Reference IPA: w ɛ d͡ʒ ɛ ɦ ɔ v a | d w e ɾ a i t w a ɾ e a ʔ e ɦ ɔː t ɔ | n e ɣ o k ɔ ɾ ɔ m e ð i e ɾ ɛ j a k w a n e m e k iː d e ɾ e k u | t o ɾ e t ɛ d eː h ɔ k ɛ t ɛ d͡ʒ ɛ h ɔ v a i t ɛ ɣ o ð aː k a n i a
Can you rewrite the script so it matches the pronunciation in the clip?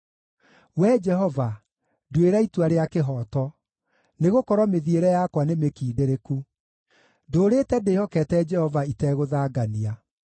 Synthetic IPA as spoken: w ɛ d͡ʒ ɛ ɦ ɔ v a | d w e ɾ a i t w a ɾ e a k e ɦ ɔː t ɔ | n e ɣ o k ɔ ɾ ɔ m e ð i e ɾ ɛ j a k w a n e m e k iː d e ɾ e k u | d o ɾ e t ɛ d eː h ɔ k ɛ t ɛ d͡ʒ ɛ h ɔ v a i t ɛ ɣ o ð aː ɡ a n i a